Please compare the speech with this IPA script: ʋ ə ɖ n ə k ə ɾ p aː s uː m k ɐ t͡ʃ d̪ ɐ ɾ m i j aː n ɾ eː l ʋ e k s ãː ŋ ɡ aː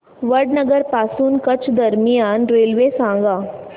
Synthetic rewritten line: ʋ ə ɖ n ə ɡ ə ɾ p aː s uː n k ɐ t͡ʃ d̪ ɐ ɾ m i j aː n ɾ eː l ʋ e s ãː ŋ ɡ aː